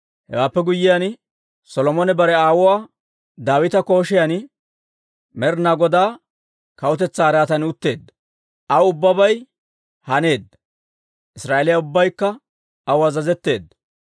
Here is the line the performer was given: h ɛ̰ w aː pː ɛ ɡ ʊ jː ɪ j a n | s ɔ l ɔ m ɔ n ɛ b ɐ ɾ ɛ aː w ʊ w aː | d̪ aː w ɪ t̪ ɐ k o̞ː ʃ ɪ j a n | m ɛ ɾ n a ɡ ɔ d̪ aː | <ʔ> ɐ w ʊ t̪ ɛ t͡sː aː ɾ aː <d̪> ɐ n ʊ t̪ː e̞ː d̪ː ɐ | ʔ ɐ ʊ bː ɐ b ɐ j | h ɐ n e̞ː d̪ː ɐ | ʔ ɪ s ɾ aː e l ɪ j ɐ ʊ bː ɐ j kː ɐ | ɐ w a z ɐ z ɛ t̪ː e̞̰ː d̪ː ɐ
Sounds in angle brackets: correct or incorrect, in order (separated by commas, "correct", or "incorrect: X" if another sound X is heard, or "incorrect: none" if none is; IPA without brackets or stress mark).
incorrect: k, incorrect: t̪